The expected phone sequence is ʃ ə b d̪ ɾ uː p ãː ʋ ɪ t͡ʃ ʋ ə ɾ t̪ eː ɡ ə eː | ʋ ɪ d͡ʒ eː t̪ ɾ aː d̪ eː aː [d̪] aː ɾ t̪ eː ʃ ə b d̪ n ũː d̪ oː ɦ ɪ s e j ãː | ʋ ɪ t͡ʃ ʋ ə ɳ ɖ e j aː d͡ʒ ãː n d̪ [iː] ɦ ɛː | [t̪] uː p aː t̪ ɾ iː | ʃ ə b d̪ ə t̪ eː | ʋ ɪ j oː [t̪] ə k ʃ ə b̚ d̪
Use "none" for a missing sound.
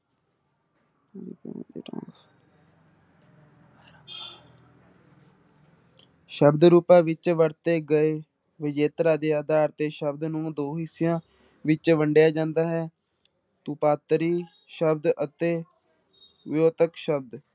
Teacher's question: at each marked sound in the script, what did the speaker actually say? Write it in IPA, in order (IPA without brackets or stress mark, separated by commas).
d̪, aː, t̪, t̪